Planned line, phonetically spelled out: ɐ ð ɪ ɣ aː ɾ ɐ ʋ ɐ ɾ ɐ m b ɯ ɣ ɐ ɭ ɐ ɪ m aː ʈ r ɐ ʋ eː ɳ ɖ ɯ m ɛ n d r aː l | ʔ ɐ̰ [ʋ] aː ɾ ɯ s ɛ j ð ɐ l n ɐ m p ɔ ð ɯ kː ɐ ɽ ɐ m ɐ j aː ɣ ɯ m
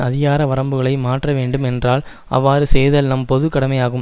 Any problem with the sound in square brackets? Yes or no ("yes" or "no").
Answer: yes